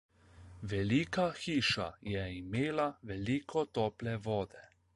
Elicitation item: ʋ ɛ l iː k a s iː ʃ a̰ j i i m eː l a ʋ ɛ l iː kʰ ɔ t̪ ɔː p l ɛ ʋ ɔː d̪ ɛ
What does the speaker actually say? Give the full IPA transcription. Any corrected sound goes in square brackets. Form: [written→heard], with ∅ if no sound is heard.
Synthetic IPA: ʋ ɛ l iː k a [s→x] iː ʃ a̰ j [i→ɛ] i m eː l a ʋ ɛ l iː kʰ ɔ t̪ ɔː p l ɛ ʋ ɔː d̪ ɛ

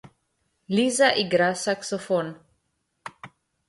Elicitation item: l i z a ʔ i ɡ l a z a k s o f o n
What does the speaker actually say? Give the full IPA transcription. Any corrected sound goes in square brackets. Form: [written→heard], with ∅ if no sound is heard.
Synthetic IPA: l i z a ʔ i ɡ [l→ɾ] a [z→s] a k s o f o n

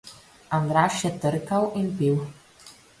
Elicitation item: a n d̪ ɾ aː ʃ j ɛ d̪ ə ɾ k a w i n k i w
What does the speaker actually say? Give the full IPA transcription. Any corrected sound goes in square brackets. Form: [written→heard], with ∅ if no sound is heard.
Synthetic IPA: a n d̪ ɾ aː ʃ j ɛ [d̪→t̪] ə ɾ k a w i n [k→p] i w

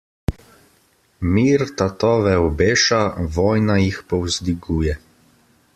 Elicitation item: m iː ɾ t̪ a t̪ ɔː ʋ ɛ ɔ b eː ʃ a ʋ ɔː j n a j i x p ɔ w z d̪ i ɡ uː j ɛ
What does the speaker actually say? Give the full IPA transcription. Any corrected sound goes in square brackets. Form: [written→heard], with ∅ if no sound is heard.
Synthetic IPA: m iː ɾ t̪ a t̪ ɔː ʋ ɛ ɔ b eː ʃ a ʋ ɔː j n a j i x p ɔ w z d̪ i ɡ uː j ɛ

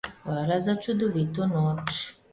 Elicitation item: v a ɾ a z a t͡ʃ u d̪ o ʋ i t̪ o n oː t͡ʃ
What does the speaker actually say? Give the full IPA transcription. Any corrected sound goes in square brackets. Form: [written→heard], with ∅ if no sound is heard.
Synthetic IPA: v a ɾ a z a t͡ʃ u d̪ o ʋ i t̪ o n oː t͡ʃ

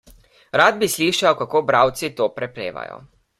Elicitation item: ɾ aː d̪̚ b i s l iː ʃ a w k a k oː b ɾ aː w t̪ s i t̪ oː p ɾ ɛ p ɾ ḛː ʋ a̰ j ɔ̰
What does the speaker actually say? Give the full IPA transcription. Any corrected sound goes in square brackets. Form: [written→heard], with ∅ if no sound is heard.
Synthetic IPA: ɾ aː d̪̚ b i s l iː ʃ a w k a k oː b ɾ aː w t̪ s i t̪ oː p ɾ ɛ p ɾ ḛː ʋ a̰ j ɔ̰

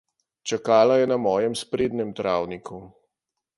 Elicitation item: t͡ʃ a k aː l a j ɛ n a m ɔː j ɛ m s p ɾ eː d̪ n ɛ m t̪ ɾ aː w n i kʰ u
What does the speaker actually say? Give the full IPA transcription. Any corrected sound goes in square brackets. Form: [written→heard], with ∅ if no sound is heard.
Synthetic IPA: t͡ʃ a k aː l a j ɛ n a m ɔː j ɛ m s p ɾ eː d̪ n ɛ m t̪ ɾ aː w n i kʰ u

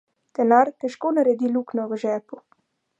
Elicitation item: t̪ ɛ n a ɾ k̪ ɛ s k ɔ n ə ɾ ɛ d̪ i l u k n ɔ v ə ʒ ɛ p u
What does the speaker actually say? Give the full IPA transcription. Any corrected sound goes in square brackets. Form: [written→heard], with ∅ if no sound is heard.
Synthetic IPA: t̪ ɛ n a ɾ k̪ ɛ [s→ʃ] k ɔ n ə ɾ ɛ d̪ i l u k n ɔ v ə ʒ ɛ p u

